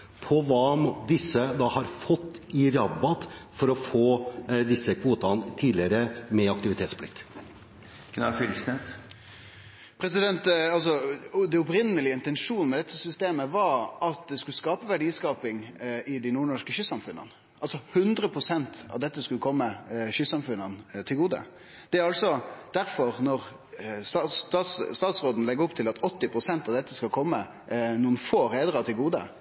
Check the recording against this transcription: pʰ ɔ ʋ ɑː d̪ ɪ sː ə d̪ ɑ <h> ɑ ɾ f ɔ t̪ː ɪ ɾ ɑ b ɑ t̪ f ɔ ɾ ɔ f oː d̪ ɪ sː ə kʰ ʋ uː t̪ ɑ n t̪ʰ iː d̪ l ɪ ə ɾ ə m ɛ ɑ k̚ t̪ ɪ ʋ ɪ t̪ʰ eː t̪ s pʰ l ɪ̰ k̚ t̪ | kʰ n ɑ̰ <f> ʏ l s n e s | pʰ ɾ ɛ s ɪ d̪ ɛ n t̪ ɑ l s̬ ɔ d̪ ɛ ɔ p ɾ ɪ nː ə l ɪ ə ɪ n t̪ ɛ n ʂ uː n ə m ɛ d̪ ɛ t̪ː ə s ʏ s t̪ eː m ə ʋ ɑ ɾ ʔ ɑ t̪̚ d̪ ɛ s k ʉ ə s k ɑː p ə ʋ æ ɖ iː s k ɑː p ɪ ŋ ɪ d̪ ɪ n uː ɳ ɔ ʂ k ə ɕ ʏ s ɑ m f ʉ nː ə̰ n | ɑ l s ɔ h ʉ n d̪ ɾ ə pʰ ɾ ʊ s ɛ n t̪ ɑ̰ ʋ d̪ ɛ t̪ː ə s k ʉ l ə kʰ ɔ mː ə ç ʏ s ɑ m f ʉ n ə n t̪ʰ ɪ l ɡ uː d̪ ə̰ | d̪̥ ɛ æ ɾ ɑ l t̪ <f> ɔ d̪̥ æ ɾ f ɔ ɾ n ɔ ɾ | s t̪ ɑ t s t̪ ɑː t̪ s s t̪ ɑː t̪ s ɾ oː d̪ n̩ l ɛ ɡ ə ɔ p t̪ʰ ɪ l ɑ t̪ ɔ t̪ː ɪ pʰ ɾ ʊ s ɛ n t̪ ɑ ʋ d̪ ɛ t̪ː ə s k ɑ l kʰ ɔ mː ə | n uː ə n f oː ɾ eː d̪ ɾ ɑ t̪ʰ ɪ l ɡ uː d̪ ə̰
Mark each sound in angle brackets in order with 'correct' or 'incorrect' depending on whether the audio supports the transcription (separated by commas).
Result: correct, correct, incorrect